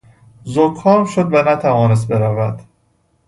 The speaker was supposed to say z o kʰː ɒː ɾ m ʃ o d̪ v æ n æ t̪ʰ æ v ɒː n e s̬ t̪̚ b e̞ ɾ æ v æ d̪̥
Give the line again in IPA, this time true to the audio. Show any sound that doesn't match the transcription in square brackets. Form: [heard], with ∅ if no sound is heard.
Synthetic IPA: z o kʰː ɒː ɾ m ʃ o d̪ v æ n æ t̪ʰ æ v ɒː n e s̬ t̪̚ b e̞ ɾ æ v æ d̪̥